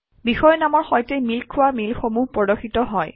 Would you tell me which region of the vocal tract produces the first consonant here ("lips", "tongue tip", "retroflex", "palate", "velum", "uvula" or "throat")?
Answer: lips